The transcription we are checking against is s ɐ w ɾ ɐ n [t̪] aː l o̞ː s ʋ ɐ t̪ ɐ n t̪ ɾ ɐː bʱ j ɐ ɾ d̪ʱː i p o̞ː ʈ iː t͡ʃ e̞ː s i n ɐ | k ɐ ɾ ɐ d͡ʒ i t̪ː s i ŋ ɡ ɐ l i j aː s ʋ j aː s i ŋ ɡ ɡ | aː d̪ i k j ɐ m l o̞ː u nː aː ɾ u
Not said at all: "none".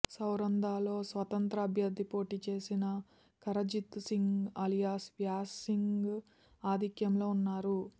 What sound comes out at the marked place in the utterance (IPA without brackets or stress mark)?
d̪